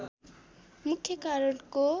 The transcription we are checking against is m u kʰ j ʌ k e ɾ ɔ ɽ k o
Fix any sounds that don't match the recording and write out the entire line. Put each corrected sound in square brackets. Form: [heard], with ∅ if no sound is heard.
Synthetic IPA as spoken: m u kʰ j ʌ k [a] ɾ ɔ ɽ k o